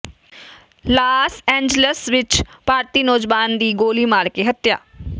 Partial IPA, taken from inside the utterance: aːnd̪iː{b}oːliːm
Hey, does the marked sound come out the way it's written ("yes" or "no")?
no